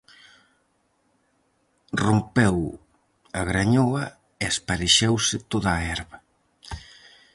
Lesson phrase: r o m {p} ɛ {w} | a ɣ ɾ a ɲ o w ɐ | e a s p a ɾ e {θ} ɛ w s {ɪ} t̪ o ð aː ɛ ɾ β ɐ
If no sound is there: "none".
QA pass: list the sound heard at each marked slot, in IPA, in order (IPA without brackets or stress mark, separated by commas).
p, w, ʃ, ɪ